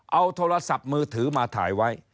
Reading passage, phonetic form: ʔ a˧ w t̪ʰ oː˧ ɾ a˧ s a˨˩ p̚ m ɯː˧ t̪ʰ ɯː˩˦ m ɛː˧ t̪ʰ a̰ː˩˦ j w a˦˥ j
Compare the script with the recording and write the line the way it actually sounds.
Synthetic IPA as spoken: ʔ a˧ w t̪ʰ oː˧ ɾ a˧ s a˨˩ p̚ m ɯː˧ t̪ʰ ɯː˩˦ m aː˧ t̪ʰ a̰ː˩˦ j w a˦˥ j